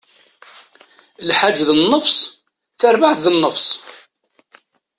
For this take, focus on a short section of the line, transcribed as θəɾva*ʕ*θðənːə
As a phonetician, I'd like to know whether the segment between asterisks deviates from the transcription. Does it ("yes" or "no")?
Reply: no